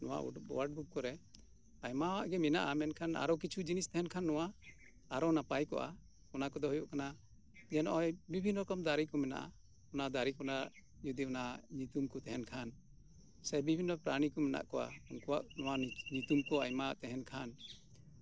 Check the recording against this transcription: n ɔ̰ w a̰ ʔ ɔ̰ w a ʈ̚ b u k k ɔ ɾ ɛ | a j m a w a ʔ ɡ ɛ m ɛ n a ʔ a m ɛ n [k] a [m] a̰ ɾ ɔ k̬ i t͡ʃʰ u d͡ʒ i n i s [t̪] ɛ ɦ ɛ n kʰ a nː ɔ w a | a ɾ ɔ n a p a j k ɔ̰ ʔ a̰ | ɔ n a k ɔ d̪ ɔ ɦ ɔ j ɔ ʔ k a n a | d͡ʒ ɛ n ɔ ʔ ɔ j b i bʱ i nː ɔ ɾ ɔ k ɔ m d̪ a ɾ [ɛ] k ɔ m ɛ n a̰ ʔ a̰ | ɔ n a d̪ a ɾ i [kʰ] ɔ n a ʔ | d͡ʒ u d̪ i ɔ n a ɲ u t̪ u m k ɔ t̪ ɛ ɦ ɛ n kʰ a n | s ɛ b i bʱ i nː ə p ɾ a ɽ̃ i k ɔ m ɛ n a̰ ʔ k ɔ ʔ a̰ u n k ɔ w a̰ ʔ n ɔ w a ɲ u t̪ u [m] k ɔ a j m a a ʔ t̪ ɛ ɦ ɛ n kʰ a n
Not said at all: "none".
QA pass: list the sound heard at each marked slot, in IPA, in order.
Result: kʰ, n, t̪, i, k, m

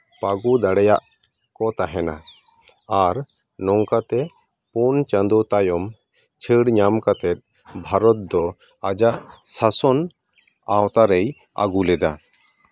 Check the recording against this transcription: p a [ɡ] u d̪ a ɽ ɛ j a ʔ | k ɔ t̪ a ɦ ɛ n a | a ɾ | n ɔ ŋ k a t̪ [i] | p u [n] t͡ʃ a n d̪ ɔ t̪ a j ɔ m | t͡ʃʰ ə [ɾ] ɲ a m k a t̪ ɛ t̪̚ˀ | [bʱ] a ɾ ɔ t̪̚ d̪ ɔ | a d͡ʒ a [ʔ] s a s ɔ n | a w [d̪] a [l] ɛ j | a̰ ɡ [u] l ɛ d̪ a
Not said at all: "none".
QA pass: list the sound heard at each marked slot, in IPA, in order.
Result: ɡ, ɛ, n, ɽ, bʱ, ʔ, t̪, ɾ, u

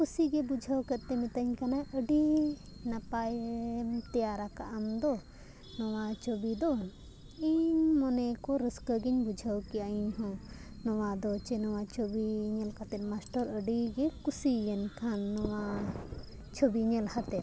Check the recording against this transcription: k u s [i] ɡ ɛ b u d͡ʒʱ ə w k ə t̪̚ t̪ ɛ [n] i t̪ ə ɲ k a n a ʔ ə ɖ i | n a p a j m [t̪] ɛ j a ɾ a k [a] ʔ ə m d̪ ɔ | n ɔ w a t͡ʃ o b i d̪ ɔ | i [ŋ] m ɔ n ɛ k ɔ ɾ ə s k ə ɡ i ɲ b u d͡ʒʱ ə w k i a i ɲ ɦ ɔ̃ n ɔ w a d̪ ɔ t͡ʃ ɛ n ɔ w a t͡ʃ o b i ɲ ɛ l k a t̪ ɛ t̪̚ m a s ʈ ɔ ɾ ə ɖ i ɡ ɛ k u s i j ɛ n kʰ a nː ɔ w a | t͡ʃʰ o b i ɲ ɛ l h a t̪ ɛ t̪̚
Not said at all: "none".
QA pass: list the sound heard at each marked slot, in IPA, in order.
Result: i, m, t̪, a, ɲ

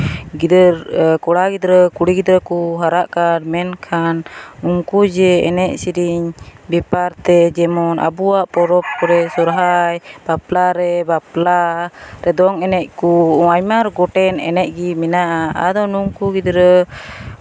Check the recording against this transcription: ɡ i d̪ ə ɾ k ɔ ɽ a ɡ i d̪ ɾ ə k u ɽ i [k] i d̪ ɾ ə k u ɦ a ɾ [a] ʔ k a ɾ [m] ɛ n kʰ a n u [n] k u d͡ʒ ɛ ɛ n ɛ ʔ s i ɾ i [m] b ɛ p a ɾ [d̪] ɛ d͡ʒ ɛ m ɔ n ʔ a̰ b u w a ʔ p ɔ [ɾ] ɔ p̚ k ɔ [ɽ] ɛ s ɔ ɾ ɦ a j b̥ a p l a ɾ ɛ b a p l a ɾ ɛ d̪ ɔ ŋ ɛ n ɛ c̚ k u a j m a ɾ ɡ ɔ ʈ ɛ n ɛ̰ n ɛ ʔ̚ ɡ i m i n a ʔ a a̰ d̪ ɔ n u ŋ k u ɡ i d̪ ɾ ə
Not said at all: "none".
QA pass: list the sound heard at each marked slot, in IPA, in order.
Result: ɡ, a, m, ŋ, ɲ, t̪, ɾ, ɾ

